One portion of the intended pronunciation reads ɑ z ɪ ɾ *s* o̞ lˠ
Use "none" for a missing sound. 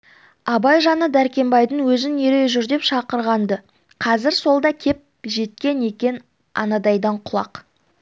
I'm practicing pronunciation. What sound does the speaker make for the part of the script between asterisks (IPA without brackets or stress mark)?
s